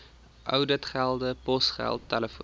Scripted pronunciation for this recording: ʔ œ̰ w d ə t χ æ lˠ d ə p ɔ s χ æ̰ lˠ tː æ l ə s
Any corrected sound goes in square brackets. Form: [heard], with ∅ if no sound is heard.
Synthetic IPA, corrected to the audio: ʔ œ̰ w d ə t χ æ lˠ d ə p ɔ s χ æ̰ lˠ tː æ l ə [f]